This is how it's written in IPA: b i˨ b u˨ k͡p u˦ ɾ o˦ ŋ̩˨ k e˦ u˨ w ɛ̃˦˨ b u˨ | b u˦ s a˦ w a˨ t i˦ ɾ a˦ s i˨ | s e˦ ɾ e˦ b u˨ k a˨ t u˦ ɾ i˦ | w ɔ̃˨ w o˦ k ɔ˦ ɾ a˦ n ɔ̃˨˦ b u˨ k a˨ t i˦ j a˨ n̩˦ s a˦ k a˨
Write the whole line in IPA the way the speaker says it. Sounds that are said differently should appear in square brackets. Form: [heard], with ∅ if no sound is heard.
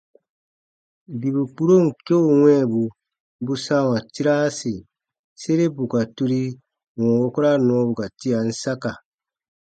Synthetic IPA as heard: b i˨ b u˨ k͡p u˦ ɾ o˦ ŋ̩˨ k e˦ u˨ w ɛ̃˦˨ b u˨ | b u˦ s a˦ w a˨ t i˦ ɾ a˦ s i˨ | s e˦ ɾ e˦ b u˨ k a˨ t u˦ ɾ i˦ | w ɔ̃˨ w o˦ k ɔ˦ ɾ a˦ n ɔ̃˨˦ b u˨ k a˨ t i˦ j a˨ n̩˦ s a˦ k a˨